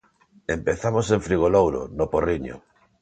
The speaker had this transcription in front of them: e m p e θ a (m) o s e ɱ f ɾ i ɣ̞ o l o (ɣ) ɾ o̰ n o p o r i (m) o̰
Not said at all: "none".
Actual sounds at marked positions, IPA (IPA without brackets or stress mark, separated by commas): m, w, ɲ